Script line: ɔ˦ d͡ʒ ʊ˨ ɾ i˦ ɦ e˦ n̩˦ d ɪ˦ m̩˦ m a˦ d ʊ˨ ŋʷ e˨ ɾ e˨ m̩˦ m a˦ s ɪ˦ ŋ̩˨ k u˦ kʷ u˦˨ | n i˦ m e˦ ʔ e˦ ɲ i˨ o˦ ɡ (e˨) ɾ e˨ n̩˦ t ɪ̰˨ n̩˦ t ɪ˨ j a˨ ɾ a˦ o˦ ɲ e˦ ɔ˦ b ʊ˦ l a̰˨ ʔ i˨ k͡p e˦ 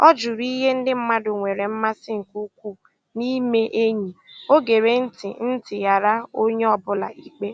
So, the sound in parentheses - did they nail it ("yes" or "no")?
yes